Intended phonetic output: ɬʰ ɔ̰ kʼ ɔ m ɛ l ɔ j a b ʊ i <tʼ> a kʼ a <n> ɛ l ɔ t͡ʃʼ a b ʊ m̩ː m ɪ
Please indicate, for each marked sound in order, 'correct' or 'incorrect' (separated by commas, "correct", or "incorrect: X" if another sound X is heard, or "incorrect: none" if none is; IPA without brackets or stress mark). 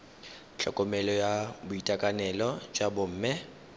correct, correct